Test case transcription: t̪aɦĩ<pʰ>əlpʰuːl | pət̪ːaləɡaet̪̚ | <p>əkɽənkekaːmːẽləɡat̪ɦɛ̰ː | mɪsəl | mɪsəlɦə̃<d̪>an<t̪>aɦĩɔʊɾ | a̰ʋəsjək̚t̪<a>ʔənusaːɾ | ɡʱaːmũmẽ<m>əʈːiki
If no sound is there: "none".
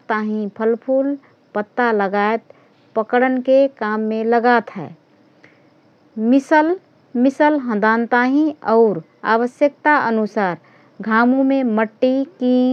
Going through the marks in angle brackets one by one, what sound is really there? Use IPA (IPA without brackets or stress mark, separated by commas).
pʰ, p, d̪, t̪, a, m